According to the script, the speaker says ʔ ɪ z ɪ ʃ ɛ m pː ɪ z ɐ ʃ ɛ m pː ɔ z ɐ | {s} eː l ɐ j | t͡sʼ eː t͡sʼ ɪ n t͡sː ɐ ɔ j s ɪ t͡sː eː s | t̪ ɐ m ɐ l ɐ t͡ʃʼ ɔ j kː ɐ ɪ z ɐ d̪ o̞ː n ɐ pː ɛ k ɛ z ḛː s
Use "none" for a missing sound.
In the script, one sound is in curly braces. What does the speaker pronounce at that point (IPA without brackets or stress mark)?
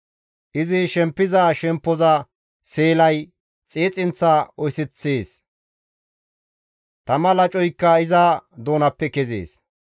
s